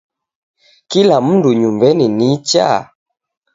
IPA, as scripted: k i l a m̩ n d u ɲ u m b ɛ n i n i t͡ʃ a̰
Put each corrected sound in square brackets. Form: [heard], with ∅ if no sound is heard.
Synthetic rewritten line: k i l a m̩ n d u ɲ u m b ɛ n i n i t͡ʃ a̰